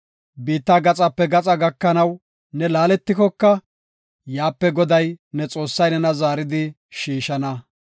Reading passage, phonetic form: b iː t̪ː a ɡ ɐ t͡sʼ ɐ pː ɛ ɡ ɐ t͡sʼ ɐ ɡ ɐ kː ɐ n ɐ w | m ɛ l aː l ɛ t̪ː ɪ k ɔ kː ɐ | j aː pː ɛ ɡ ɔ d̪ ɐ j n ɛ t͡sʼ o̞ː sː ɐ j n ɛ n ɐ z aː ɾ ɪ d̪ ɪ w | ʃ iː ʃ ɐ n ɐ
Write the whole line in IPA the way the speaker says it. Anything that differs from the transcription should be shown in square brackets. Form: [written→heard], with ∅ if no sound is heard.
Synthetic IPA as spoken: b iː t̪ː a ɡ ɐ t͡sʼ ɐ pː ɛ ɡ ɐ t͡sʼ ɐ ɡ ɐ kː ɐ n ɐ w | [m→n] ɛ l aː l ɛ t̪ː ɪ k ɔ kː ɐ | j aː pː ɛ ɡ ɔ d̪ ɐ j n ɛ t͡sʼ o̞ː sː ɐ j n ɛ n ɐ z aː ɾ ɪ d̪ ɪ [w→∅] | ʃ iː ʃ ɐ n ɐ